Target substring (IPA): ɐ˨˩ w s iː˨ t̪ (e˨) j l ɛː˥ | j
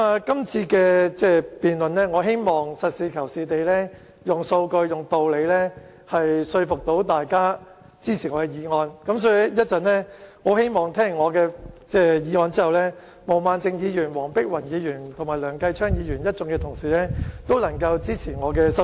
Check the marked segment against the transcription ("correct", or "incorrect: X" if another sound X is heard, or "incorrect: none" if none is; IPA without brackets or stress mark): correct